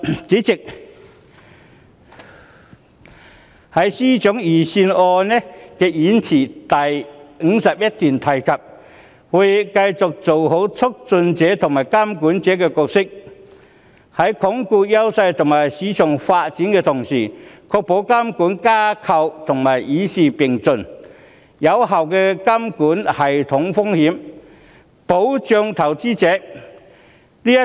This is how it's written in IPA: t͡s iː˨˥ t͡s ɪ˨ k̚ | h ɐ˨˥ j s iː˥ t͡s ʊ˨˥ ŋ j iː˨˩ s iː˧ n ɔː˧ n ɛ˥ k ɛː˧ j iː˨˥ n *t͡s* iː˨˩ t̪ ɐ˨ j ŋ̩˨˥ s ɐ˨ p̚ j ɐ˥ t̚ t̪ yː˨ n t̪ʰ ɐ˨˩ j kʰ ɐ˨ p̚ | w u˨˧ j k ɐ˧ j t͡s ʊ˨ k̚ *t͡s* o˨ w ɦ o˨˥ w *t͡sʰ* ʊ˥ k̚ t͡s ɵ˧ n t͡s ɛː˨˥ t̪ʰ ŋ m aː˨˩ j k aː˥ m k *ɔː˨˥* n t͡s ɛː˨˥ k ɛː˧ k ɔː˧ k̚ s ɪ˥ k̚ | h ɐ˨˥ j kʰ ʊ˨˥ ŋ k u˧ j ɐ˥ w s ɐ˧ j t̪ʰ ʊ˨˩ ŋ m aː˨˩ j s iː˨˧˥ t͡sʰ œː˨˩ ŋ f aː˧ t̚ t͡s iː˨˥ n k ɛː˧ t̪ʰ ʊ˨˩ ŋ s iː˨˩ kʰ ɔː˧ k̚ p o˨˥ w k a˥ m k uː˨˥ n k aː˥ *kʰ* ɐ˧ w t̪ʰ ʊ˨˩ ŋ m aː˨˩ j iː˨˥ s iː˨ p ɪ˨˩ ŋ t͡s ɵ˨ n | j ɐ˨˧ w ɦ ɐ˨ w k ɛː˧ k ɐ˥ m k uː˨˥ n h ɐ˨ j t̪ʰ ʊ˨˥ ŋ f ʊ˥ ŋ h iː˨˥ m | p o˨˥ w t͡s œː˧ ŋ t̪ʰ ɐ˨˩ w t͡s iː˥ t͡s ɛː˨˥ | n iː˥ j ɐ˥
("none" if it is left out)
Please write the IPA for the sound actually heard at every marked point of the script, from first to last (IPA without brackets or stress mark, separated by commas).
t͡sʰ, t͡s, t͡sʰ, uː˨˥, kʰ